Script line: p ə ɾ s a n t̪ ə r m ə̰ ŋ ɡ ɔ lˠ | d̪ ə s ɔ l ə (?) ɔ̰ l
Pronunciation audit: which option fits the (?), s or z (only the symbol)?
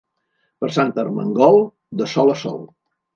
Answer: s